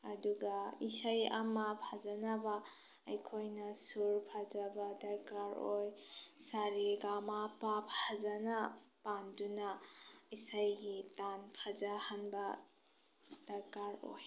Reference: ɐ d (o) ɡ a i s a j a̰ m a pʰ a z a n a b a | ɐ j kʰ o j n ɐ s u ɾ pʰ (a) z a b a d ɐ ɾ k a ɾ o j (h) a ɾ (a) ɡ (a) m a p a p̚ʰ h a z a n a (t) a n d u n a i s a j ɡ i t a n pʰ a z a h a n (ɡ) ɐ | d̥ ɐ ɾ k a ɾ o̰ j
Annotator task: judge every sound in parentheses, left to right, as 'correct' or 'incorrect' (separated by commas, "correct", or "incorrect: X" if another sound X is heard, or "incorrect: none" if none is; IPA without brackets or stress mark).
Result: incorrect: u, correct, incorrect: s, incorrect: i, correct, incorrect: p, incorrect: b